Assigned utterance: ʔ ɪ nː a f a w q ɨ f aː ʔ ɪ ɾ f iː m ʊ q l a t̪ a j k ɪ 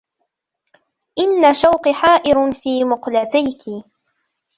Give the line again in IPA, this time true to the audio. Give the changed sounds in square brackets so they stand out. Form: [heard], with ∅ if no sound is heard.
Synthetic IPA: ʔ ɪ nː a [ʃ] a w q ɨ [ħ] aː ʔ ɪ ɾ f iː m ʊ q l a t̪ a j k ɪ